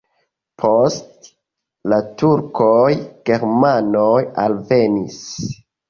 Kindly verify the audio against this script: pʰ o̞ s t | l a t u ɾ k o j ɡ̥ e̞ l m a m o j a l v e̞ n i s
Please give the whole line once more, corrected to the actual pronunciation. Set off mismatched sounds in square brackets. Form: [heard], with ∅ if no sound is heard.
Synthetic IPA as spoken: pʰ o̞ s t | l a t u ɾ k o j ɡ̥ e̞ [ɾ] m a [n] o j a l v e̞ n i s